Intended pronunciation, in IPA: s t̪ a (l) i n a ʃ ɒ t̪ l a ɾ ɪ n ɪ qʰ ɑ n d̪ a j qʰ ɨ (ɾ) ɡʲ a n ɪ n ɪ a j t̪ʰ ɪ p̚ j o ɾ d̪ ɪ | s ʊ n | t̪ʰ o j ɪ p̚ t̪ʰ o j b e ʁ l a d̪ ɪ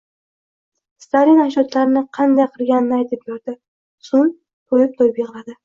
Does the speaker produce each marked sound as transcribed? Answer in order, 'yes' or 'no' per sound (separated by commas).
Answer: yes, yes